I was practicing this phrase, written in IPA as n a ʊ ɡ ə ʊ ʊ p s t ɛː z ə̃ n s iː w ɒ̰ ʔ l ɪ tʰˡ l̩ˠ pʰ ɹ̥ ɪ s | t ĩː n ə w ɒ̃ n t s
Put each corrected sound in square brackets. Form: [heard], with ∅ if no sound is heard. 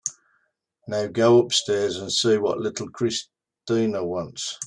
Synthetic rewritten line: n a ʊ ɡ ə ʊ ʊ p s t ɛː z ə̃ n s iː w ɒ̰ ʔ l ɪ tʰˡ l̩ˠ [kʰ] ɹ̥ ɪ s | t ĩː n ə w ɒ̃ n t s